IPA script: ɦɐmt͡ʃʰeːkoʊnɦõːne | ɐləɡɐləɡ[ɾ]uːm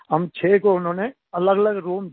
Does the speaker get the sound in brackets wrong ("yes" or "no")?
no